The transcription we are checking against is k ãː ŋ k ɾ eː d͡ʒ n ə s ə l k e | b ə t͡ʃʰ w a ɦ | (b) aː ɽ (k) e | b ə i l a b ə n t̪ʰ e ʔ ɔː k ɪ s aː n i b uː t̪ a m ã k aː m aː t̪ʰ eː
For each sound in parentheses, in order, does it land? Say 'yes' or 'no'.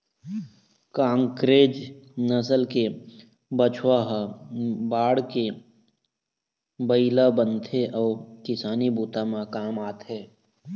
yes, yes

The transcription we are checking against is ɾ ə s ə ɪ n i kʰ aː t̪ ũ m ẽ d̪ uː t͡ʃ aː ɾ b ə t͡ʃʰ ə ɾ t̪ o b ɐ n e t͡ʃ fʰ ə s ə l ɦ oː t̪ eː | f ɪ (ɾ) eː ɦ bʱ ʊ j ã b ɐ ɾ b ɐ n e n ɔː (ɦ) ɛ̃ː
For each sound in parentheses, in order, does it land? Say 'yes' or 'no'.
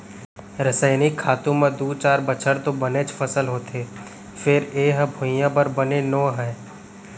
yes, yes

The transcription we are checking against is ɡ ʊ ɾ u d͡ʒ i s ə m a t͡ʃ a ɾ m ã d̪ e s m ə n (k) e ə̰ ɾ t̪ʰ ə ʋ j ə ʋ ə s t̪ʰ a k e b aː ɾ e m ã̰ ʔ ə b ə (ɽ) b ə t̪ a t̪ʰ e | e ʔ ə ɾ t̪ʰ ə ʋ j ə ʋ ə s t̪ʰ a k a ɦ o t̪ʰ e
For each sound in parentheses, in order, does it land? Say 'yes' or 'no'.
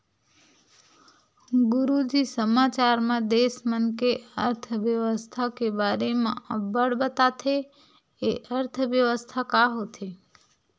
yes, yes

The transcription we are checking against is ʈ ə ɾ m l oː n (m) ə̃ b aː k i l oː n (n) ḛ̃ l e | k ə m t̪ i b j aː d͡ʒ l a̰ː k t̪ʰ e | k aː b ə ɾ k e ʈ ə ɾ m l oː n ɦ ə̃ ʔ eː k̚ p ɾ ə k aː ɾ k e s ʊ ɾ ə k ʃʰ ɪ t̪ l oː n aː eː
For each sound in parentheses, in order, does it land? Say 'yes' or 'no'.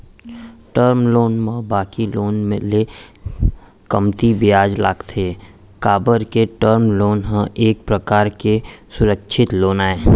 yes, no

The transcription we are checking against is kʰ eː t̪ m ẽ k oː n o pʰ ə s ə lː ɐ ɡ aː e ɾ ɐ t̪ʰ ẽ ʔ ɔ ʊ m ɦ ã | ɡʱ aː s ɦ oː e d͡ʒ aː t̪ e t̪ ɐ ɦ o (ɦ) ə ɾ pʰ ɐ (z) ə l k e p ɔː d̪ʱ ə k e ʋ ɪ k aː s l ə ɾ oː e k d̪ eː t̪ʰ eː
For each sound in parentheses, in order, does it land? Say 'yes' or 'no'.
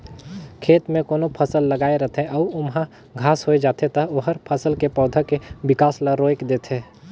yes, no

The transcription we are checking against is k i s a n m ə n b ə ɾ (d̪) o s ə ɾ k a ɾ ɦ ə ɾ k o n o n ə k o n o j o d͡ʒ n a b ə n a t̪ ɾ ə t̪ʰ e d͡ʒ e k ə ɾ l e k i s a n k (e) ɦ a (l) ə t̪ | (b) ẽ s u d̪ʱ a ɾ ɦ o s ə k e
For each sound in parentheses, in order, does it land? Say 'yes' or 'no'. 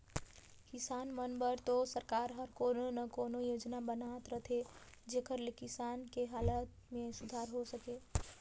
no, yes, yes, no

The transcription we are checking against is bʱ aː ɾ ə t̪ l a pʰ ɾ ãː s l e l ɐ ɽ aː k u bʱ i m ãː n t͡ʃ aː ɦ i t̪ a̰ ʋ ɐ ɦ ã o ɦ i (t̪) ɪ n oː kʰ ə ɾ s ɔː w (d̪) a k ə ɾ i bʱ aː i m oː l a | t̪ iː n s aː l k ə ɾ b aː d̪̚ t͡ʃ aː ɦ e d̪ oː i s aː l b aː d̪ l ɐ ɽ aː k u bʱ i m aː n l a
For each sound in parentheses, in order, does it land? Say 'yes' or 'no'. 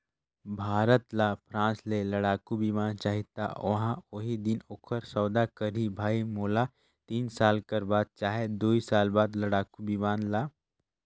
no, yes

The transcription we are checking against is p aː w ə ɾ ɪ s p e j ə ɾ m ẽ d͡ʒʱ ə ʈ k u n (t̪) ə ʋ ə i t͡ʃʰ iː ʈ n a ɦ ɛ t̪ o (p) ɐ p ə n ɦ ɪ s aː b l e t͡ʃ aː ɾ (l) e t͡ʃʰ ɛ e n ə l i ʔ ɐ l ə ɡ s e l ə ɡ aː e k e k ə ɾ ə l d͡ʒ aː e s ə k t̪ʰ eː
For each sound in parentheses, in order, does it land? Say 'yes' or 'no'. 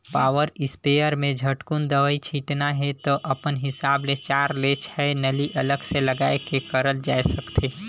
no, no, yes

